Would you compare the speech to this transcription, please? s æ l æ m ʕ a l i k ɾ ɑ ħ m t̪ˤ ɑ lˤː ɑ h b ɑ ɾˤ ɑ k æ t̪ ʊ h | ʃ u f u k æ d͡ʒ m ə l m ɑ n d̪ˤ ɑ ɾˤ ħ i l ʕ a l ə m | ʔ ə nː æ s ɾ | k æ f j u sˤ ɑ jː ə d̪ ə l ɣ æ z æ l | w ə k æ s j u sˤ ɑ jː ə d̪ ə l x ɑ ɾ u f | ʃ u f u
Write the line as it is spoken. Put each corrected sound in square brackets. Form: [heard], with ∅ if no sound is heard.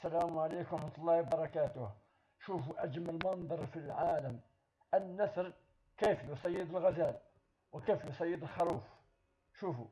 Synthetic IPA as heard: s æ l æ m ʕ a l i k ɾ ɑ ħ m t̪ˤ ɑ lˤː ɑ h b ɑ ɾˤ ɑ k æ t̪ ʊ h | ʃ u f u [ʔ] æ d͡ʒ m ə l m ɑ n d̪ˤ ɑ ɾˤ [f] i l ʕ a l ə m | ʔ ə nː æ s ɾ | k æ f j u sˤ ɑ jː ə d̪ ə l ɣ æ z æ l | w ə k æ [f] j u sˤ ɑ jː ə d̪ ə l x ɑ ɾ u f | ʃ u f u

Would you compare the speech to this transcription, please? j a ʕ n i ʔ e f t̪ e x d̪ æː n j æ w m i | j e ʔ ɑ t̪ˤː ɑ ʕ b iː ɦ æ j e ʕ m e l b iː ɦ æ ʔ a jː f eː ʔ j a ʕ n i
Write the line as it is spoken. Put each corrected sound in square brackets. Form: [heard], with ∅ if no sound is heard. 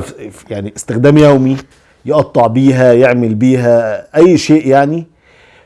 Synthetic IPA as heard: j a ʕ n i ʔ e [s] t̪ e x d̪ æː [m] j æ w m i | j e ʔ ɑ t̪ˤː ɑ ʕ b iː ɦ æ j e ʕ m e l b iː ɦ æ ʔ [æ] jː [ʃ] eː ʔ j a ʕ n i

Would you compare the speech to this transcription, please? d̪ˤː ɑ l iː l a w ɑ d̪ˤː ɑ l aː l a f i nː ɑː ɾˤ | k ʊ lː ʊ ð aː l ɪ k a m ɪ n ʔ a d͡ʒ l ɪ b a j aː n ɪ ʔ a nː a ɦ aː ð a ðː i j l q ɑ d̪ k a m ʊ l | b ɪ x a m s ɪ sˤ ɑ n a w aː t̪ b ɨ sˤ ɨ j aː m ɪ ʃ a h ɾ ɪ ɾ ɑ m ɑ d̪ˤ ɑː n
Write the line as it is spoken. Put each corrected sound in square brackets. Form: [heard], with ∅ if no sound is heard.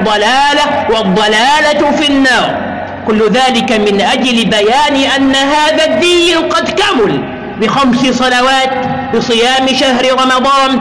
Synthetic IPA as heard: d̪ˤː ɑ l [aː] l a w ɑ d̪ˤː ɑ l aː l a f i nː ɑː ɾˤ | k ʊ lː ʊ ð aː l ɪ k a m ɪ n ʔ a d͡ʒ l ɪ b a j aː n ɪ ʔ a nː a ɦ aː ð a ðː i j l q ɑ d̪ k a m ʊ l | b ɪ x a m s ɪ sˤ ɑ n a w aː t̪ b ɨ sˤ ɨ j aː m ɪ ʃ a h ɾ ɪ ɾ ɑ m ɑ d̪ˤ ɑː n

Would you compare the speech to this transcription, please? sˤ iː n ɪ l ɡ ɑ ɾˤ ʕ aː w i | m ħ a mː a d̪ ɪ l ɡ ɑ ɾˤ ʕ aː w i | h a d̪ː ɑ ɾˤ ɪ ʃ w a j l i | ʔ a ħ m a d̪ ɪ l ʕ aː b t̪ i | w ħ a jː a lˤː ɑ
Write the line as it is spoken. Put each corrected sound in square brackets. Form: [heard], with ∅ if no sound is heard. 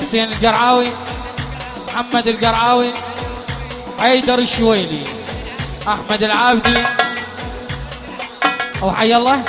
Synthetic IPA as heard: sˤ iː n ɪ l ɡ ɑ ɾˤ ʕ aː w i | m ħ a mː a d̪ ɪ l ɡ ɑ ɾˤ ʕ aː w i | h a [d̪] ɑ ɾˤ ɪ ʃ w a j l i | ʔ a ħ m a d̪ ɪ l ʕ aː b [d̪] i | w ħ a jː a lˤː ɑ

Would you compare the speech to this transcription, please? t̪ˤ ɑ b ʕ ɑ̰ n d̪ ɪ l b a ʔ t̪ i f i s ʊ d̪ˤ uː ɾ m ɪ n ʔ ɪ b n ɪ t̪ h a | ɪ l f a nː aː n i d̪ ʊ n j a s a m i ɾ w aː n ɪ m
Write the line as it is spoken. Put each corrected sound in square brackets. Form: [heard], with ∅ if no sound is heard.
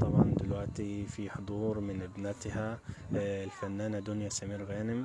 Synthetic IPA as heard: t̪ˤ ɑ b ʕ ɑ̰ n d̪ ɪ l [w] a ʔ t̪ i f i [ħ] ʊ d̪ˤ uː ɾ m ɪ n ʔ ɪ b n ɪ t̪ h a | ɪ l f a nː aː n [a] d̪ ʊ n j a s a m [iː] ɾ [ɣ] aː n ɪ m

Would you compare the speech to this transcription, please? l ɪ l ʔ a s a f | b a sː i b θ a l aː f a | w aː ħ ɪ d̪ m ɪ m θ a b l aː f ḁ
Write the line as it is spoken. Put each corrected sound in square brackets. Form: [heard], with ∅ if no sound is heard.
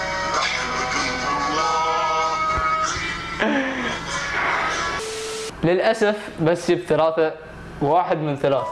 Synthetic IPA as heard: l ɪ l ʔ a s a f | b a sː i b θ a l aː [θ] a | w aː ħ ɪ d̪ m ɪ [n] θ a [∅] l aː [θ] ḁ

